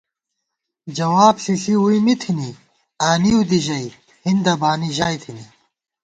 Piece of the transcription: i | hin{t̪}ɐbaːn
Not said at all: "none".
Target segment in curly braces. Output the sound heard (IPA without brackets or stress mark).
d̪